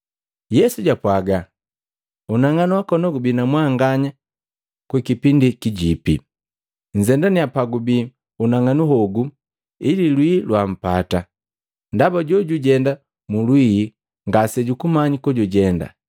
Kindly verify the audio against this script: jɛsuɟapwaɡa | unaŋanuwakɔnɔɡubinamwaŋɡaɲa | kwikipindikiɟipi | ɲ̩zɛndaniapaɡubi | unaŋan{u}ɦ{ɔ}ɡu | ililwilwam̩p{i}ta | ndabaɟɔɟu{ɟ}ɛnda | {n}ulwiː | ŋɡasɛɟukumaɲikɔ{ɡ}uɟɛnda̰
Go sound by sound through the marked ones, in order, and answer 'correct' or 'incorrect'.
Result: correct, correct, incorrect: a, correct, incorrect: m, incorrect: ɟ

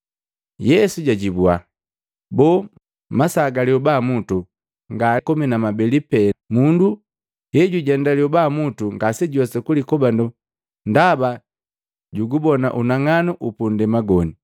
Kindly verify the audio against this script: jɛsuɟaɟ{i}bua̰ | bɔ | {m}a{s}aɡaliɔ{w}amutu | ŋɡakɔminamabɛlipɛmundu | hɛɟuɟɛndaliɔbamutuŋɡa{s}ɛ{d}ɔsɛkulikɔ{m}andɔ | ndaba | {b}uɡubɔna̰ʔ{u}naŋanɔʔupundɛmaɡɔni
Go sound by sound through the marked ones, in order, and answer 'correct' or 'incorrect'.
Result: correct, correct, correct, incorrect: b, correct, incorrect: ɟ, incorrect: b, incorrect: ɟ, correct

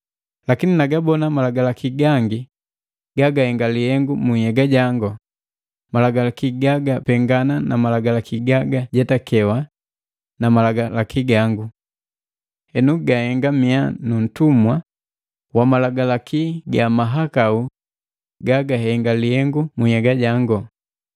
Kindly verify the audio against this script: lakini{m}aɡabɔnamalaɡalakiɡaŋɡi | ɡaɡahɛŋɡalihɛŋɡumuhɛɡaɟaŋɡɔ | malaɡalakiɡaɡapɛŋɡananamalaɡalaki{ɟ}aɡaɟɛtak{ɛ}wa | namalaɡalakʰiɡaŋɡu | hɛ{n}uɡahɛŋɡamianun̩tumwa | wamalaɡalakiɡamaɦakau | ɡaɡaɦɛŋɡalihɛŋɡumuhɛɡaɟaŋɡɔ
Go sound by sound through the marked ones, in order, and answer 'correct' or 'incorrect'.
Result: incorrect: n, incorrect: ɡ, correct, correct

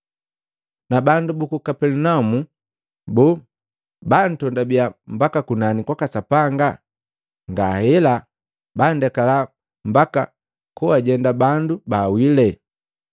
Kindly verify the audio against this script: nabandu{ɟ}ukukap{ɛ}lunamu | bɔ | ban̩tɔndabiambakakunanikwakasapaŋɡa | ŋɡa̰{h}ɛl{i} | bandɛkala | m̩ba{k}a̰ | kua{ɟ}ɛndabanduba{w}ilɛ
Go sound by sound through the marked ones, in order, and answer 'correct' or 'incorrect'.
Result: incorrect: b, correct, correct, incorrect: a, correct, correct, correct

